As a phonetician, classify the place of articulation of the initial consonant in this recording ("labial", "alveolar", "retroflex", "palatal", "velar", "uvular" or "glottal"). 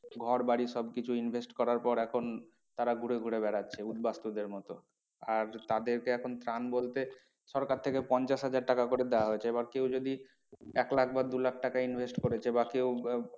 velar